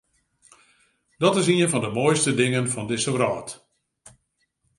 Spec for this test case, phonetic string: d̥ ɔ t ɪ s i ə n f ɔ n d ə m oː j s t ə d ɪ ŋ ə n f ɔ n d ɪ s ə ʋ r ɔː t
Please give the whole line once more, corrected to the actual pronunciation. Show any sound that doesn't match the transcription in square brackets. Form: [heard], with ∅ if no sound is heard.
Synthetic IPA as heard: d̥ ɔ t ɪ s i ə n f ɔ n d ə m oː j s t ə d ɪ ŋ ə n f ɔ n d ɪ s ə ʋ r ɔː t